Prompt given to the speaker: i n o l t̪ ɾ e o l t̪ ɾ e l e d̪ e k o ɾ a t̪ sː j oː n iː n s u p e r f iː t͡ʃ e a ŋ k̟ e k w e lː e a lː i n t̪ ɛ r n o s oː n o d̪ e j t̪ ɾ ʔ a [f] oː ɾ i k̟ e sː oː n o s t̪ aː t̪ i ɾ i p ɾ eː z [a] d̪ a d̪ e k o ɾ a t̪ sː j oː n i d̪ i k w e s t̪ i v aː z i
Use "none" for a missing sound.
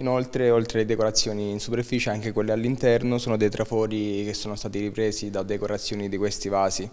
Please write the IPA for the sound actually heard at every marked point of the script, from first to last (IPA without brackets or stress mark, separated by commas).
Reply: f, i